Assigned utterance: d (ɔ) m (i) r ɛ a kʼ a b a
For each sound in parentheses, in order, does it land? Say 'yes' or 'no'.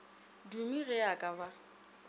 no, yes

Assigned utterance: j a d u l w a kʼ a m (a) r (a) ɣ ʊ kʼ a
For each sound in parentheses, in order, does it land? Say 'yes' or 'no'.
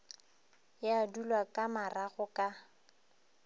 yes, yes

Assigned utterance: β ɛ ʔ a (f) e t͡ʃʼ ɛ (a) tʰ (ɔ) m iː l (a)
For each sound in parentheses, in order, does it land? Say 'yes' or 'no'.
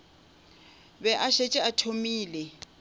no, yes, no, no

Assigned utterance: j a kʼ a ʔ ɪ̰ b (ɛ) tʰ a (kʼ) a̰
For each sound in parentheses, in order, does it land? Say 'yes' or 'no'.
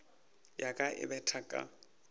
yes, yes

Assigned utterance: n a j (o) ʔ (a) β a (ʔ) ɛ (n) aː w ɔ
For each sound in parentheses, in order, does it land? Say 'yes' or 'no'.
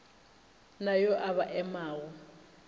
no, yes, yes, no

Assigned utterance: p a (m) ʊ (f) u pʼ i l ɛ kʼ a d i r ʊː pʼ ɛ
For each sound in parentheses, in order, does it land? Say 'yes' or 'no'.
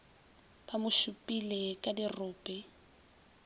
yes, no

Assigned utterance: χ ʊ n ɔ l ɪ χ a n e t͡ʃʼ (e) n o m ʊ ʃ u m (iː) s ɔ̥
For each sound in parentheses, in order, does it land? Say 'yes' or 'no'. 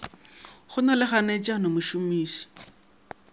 no, yes

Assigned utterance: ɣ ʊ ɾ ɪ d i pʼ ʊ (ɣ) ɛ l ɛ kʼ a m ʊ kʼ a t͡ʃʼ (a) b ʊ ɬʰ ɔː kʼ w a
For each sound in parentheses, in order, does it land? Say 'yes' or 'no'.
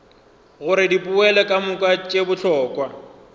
no, no

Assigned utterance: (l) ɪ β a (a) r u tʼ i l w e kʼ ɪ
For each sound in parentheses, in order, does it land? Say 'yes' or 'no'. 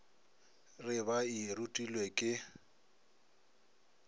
no, no

